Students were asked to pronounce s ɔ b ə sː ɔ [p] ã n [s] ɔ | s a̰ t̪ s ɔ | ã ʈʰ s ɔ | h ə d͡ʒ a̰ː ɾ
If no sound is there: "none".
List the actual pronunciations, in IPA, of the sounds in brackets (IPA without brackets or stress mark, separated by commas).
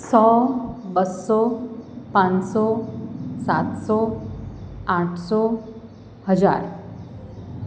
p, s